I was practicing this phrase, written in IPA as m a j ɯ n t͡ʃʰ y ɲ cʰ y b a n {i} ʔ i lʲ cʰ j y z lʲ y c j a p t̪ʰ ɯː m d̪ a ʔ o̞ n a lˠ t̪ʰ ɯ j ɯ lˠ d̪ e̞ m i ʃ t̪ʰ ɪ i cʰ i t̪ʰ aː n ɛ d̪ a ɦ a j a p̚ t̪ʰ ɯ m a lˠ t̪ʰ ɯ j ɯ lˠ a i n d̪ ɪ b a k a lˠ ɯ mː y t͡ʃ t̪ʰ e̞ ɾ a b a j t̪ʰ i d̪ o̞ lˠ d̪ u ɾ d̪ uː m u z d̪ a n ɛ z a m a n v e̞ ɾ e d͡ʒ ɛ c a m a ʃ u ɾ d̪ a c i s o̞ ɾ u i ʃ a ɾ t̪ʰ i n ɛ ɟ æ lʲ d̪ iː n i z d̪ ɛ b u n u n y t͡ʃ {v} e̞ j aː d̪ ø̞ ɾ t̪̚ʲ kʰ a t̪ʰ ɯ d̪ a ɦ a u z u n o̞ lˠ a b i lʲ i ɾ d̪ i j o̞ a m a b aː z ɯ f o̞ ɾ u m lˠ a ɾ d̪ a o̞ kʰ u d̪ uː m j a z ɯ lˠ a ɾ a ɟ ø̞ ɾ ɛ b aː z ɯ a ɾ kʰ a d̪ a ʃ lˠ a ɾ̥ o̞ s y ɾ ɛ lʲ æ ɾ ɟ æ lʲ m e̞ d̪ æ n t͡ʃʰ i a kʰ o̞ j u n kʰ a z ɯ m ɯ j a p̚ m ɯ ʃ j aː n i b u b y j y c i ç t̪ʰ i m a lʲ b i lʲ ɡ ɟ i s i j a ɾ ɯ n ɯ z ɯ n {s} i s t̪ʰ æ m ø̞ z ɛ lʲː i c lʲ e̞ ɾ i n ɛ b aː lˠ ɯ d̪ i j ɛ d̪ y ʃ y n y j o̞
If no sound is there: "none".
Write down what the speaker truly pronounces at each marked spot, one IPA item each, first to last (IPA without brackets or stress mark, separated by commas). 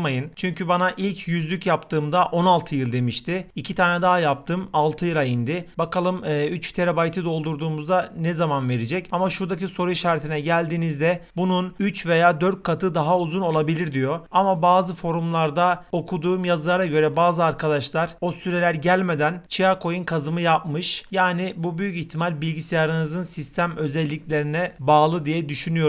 a, v, s